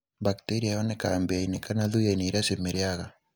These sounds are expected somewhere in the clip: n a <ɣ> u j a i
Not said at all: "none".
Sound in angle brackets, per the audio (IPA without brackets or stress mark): ð